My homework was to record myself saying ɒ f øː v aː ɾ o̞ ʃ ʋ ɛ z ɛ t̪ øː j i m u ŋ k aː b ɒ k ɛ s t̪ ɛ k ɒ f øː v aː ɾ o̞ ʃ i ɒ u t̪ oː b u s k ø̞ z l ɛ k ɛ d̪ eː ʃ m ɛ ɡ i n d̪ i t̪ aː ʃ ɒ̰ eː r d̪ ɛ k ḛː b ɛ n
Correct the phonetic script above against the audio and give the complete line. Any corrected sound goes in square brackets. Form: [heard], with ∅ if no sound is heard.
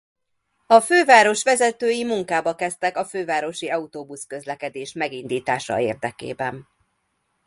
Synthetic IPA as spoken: ɒ f øː v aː ɾ o̞ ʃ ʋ ɛ z ɛ t̪ øː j i m u ŋ k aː b ɒ k ɛ s t̪ ɛ k ɒ f øː v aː ɾ o̞ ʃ i ɒ u t̪ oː b u s k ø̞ z l ɛ k ɛ d̪ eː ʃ m ɛ ɡ i n d̪ [iː] t̪ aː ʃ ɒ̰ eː r d̪ ɛ k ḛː b ɛ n